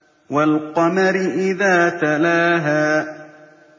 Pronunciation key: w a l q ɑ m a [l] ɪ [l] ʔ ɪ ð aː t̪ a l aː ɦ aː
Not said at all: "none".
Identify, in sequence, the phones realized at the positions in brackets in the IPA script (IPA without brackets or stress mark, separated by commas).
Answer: ɾ, none